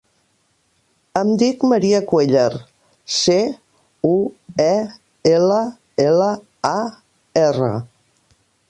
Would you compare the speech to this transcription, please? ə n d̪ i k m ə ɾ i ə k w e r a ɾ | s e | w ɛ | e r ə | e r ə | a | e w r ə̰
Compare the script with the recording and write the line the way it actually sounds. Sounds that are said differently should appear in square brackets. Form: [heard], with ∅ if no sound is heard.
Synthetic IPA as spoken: ə [m] d̪ i k m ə ɾ i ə k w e [ʎ] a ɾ | s e | [u] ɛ | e [l] ə | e [l] ə | a | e [∅] r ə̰